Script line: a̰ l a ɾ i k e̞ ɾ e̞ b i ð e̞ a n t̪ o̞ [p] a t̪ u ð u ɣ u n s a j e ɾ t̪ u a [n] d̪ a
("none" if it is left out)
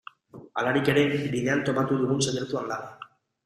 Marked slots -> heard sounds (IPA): p, n

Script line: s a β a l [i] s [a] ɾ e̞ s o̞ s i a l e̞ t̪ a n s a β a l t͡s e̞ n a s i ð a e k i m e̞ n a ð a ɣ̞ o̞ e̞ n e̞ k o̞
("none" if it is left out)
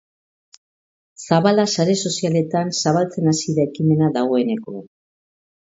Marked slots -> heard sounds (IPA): a, a

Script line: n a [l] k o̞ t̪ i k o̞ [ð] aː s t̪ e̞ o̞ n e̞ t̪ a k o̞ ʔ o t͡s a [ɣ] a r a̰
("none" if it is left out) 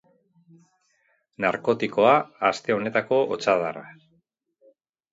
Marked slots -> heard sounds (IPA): ɾ, none, ð

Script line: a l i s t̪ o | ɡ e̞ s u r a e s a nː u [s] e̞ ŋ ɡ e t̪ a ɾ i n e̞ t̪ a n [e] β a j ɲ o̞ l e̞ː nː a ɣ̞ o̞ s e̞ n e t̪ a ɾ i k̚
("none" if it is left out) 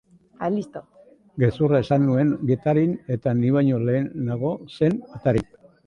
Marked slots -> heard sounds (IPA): none, i

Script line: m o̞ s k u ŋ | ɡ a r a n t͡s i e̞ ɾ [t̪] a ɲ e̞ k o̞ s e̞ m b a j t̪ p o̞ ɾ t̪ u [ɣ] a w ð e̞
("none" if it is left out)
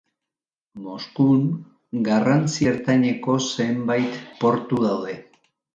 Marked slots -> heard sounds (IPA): t̪, ð

